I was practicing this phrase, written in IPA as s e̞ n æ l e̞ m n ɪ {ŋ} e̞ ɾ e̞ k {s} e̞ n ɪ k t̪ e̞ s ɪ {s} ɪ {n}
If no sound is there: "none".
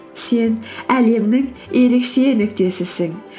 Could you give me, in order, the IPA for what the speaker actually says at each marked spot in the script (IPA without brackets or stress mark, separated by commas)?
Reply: ŋ, ʃ, s, ŋ